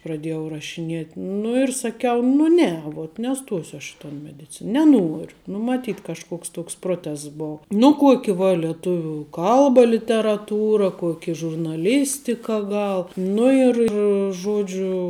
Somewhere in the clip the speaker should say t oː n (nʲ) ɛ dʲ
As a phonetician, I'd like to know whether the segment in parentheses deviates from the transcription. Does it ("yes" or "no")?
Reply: yes